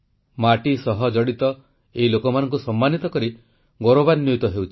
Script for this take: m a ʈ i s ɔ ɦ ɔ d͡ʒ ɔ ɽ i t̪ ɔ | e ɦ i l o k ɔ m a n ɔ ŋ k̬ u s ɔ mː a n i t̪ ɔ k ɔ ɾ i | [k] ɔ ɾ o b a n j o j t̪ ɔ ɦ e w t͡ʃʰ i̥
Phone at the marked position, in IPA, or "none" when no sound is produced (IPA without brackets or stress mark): ɡ